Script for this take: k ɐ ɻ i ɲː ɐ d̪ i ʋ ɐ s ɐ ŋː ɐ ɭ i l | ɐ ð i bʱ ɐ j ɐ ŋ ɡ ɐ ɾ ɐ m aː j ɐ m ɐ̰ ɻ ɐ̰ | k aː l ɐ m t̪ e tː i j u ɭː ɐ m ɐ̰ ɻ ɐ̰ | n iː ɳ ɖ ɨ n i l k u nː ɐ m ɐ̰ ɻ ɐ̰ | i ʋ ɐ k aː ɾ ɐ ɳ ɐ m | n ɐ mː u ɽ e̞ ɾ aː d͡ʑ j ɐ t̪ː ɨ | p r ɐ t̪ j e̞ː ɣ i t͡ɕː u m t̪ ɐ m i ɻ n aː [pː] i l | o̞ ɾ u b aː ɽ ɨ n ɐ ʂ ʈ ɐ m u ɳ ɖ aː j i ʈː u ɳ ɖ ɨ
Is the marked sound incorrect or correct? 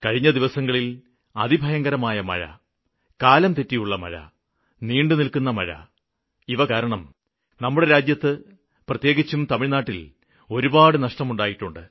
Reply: incorrect